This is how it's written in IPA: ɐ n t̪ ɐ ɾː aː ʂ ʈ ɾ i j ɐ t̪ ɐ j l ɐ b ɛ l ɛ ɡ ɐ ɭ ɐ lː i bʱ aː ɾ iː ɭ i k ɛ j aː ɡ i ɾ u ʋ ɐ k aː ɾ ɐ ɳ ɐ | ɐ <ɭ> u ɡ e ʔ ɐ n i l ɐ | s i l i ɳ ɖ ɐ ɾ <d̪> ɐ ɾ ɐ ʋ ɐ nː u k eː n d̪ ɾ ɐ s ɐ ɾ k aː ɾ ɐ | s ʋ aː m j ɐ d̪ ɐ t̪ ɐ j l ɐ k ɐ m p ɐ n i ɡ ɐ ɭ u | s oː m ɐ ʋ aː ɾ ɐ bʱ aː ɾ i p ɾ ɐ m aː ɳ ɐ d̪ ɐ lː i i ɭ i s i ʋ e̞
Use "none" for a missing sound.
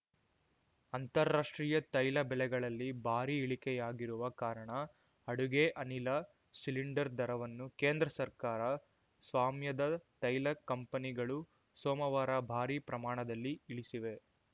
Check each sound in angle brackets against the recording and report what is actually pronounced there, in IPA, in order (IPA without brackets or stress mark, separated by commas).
ɽ, d̪